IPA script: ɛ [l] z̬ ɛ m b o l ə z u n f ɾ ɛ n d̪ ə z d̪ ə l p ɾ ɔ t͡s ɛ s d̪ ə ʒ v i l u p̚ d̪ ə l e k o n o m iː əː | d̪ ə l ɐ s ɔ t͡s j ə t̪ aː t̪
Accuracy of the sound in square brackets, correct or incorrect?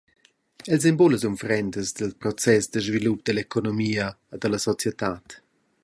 correct